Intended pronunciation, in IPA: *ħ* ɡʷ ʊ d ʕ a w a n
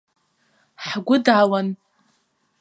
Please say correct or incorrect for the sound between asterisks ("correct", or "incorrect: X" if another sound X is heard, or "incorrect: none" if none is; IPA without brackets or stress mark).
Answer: correct